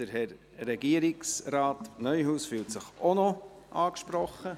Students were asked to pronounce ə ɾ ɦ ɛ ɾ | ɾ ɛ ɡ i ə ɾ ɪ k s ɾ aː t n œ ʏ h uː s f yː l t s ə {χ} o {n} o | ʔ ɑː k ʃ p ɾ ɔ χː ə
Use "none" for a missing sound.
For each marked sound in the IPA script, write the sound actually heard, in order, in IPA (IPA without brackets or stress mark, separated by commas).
χ, n